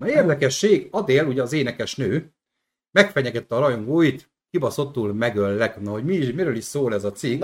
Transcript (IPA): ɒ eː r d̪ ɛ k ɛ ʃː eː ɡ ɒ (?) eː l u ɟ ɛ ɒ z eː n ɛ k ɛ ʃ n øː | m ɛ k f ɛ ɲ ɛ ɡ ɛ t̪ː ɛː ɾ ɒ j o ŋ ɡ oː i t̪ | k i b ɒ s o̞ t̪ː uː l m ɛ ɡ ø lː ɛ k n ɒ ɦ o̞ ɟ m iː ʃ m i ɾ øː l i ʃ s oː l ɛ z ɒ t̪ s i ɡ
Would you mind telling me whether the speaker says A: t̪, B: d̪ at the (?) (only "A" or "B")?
B